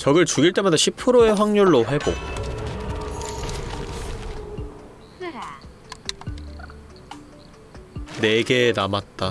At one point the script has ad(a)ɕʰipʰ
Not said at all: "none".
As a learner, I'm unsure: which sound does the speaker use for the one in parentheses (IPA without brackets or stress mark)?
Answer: a